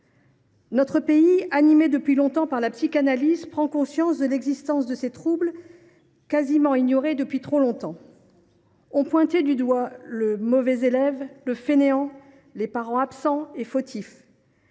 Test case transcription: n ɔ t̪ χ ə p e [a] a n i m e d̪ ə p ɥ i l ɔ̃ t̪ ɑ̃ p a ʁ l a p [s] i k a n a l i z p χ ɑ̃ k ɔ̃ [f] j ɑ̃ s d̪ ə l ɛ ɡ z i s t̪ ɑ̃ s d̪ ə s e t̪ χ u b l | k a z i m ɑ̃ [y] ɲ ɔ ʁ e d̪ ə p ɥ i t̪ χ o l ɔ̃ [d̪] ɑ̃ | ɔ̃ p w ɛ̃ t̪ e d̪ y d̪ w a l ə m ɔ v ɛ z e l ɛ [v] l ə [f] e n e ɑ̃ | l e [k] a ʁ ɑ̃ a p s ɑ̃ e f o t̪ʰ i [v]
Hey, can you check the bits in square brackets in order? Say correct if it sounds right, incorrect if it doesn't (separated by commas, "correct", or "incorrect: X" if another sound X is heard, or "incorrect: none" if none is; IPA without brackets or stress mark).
incorrect: i, correct, incorrect: s, incorrect: i, incorrect: t̪, correct, correct, incorrect: p, incorrect: f